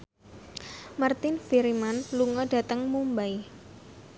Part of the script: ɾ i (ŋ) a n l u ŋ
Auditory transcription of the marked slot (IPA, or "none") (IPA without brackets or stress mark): m